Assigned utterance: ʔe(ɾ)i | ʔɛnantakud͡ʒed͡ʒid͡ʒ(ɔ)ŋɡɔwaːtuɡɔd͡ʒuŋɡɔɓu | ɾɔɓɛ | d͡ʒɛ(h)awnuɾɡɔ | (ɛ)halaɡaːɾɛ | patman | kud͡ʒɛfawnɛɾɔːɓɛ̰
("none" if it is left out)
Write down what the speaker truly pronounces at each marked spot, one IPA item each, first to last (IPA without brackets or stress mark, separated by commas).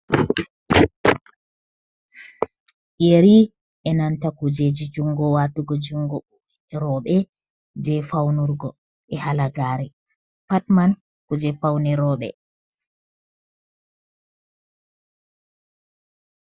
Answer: ɾ, u, f, ɛ